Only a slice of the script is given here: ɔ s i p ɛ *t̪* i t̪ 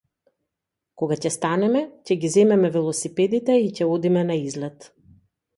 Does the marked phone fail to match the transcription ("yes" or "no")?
yes